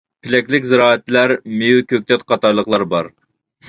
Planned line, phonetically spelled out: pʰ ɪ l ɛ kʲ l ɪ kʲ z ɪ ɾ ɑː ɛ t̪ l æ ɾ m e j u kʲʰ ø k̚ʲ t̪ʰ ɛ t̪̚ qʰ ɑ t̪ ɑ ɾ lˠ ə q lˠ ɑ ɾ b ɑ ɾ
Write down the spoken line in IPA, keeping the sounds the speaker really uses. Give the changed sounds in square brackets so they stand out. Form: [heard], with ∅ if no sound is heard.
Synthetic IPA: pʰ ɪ l ɛ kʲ l ɪ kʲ z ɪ ɾ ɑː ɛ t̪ l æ ɾ m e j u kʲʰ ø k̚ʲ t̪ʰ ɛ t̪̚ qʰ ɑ t̪ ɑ ɾ lˠ ə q lˠ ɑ ɾ b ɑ ɾ